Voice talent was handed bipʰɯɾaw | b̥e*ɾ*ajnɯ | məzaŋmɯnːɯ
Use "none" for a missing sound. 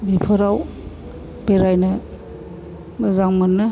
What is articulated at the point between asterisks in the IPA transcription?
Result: ɾ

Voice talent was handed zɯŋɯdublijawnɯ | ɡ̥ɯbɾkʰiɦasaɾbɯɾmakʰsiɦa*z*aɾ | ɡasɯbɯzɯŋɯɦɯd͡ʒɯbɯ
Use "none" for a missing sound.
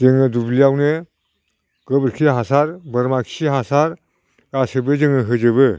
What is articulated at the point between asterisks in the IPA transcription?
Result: s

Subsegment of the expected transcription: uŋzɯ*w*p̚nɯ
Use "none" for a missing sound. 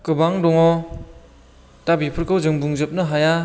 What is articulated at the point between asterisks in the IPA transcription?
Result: none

